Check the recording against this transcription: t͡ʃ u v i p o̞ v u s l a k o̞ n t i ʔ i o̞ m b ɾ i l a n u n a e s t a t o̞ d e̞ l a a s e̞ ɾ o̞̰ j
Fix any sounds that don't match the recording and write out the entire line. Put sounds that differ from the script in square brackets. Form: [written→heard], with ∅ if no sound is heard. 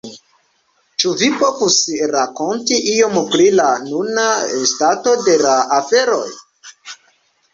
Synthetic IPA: t͡ʃ u v i p o̞ v u s [l→ɾ] a k o̞ n t i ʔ i o̞ m [b→p] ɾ i l a n u n a e s t a t o̞ d e̞ l a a [s→f] e̞ ɾ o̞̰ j